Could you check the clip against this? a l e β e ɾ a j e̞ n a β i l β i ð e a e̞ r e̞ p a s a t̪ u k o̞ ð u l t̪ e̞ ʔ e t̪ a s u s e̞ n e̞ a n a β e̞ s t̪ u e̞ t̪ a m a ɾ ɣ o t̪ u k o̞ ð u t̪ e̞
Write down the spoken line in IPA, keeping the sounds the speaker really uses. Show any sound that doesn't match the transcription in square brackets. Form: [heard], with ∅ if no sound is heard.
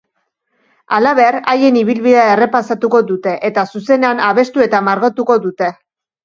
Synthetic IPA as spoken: a l [a] β e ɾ a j e̞ n [i] β i l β i ð e a e̞ r e̞ p a s a t̪ u k o̞ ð u [∅] t̪ e̞ ʔ e t̪ a s u s e̞ n e̞ a n a β e̞ s t̪ u e̞ t̪ a m a ɾ ɣ o t̪ u k o̞ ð u t̪ e̞

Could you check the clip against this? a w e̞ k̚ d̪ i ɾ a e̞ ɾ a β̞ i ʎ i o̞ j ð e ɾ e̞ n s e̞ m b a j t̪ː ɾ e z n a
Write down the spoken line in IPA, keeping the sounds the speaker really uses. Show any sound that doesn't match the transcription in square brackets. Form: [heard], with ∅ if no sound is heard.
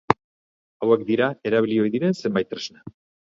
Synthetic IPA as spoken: a w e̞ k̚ d̪ i ɾ a e̞ ɾ a β̞ i [l] i o̞ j ð [i] ɾ e̞ n s e̞ m b a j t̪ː ɾ e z n a

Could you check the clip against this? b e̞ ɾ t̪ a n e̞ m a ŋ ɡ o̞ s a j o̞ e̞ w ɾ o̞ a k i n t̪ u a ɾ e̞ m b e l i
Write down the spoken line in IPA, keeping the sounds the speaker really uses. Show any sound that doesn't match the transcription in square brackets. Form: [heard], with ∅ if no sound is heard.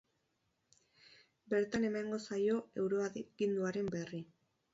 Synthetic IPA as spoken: b e̞ ɾ t̪ a n e̞ m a ŋ ɡ o̞ s a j o̞ e̞ w ɾ o̞ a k i n [d̪] u a ɾ e̞ m b e [r] i

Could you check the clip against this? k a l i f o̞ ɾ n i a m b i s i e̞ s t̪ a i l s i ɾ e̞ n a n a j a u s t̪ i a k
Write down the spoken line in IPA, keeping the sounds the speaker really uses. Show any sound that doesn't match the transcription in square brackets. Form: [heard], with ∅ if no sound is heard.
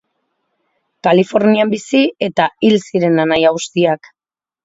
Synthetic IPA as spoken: k a l i f o̞ ɾ n i a m b i s i e̞ [∅] t̪ a i l s i ɾ e̞ n a n a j a u s t̪ i a k

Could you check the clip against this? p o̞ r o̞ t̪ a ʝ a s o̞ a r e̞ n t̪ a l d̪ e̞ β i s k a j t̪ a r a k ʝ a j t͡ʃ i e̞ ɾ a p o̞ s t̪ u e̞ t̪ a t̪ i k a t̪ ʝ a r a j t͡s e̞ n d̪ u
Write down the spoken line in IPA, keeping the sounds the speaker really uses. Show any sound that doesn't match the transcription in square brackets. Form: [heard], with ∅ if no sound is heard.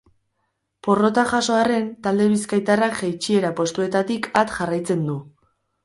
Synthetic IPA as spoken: p o̞ r o̞ t̪ a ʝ a s o̞ a r e̞ n t̪ a l d̪ e̞ β i s k a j t̪ a r a k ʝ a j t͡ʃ i e̞ ɾ a p o̞ s t̪ u e̞ t̪ a t̪ i k a t̪ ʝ a r a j t͡s e̞ n d̪ u

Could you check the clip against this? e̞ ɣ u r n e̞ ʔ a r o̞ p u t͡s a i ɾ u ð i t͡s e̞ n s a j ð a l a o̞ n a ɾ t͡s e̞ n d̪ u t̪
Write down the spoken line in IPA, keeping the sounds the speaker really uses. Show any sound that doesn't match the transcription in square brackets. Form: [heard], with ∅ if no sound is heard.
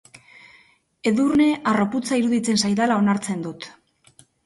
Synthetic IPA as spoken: e̞ [ð] u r n e̞ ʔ a r o̞ p u t͡s a i ɾ u ð i t͡s e̞ n s a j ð a l a o̞ n a ɾ t͡s e̞ n d̪ u t̪

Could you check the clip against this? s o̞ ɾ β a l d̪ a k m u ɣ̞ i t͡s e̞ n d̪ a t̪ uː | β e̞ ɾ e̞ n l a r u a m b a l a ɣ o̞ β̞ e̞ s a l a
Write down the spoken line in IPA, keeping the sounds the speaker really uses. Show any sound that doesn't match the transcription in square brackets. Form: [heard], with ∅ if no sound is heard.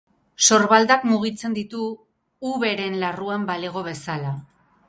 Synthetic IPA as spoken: s o̞ ɾ β a l d̪ a k m u ɣ̞ i t͡s e̞ n d̪ [i] t̪ uː | β e̞ ɾ e̞ n l a r u a m b a l [e] ɣ o̞ β̞ e̞ s a l a

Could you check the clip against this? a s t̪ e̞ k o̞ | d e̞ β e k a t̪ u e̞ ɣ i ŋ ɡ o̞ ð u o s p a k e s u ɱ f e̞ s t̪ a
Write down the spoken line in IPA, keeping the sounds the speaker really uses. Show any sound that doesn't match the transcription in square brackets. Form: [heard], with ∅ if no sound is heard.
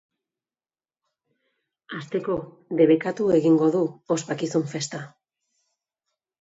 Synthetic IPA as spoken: a s t̪ e̞ k o̞ | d e̞ β e k a t̪ u e̞ ɣ i ŋ ɡ o̞ ð u o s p a k [i] s u ɱ f e̞ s t̪ a

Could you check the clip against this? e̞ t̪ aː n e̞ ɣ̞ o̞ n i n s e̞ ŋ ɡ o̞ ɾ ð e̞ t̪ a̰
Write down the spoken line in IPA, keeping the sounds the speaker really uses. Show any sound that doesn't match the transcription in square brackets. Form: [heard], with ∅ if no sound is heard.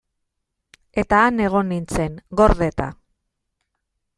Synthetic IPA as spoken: e̞ t̪ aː n e̞ ɣ̞ o̞ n i n [t͡s] e̞ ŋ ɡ o̞ ɾ ð e̞ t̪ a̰

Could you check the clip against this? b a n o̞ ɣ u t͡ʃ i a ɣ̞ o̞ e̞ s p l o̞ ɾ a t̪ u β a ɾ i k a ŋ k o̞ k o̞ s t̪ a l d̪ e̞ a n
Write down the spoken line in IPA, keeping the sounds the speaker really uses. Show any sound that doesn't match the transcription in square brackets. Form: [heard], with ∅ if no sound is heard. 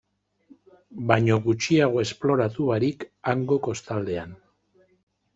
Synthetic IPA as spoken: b a [ɲ] o̞ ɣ u t͡ʃ i a ɣ̞ o̞ e̞ s p l o̞ ɾ a t̪ u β a ɾ i k a ŋ [ɡ] o̞ k o̞ s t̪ a l d̪ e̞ a n

